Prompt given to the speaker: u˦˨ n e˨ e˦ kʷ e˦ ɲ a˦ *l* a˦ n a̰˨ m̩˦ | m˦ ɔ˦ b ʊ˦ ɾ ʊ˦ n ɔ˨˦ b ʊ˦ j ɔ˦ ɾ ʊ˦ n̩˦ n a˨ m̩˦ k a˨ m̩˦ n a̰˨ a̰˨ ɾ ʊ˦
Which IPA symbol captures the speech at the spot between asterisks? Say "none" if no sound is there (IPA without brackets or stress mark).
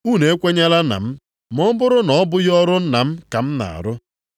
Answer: l